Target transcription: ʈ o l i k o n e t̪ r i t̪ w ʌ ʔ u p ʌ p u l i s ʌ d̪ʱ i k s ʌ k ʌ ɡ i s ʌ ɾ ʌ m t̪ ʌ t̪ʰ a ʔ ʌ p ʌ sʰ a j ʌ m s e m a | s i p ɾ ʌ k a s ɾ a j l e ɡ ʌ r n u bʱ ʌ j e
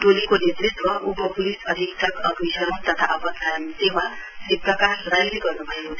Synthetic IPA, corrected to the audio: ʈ o l i k o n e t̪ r i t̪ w ʌ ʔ u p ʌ p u l i s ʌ d̪ʱ i k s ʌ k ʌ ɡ i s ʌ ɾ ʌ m t̪ ʌ t̪ʰ a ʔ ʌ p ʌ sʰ a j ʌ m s e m a | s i p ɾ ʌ k a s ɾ a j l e ɡ ʌ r n u bʱ ʌ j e